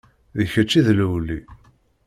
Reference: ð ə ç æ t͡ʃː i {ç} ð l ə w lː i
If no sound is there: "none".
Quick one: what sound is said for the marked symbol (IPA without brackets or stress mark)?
none